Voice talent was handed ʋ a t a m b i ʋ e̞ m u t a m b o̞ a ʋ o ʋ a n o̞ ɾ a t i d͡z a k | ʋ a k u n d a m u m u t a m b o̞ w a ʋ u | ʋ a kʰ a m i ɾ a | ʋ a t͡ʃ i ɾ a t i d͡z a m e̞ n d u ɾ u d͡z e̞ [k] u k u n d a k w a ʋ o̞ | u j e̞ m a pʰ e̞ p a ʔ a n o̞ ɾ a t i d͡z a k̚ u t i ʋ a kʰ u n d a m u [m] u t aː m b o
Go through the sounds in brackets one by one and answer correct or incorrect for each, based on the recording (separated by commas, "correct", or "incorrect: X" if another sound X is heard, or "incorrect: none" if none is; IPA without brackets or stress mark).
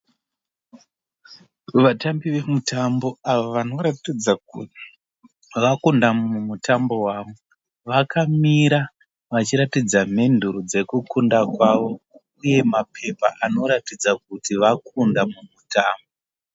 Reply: correct, correct